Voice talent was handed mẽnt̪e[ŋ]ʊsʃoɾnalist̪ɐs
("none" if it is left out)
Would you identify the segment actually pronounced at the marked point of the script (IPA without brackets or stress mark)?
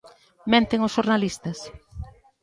ŋ